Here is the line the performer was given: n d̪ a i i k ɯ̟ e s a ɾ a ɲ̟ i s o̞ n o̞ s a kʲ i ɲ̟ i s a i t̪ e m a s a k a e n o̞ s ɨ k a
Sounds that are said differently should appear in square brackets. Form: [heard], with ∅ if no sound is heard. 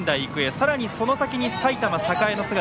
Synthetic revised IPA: n d̪ a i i k ɯ̟ e s a ɾ a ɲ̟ i s o̞ n o̞ s a kʲ i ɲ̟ i s a i t̪ [a] m a s a k a e n o̞ s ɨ [ɡ] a